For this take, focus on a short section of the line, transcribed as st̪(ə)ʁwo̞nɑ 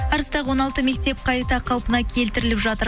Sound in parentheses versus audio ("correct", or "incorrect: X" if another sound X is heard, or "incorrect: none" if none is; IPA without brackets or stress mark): incorrect: ɑ